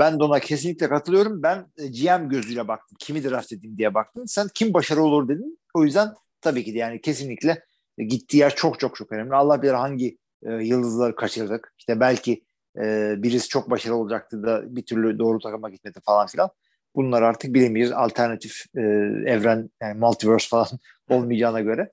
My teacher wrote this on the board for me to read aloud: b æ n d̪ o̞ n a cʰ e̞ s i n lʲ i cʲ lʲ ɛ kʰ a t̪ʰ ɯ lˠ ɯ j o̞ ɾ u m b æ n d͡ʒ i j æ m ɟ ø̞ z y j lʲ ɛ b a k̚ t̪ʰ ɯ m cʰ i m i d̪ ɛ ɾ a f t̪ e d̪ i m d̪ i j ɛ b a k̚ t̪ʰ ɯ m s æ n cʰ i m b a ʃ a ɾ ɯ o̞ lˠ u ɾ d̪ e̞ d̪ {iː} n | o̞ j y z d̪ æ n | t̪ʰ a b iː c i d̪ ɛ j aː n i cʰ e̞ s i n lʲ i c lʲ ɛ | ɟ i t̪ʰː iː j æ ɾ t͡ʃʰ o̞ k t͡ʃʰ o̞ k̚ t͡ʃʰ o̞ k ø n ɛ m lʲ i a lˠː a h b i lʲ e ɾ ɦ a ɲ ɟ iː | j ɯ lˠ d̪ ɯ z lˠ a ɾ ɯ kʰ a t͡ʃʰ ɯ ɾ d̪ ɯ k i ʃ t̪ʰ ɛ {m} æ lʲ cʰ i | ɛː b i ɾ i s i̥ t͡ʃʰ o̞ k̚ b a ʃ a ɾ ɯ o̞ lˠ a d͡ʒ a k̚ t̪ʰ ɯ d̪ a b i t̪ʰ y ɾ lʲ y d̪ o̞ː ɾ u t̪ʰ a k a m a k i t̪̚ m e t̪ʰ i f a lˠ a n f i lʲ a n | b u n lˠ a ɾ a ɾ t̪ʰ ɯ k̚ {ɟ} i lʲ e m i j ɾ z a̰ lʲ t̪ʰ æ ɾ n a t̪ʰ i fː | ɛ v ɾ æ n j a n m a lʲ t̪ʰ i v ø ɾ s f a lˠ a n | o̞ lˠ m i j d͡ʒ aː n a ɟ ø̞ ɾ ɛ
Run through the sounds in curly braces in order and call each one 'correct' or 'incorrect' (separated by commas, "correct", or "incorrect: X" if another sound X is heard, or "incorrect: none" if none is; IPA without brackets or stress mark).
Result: incorrect: i, incorrect: b, incorrect: b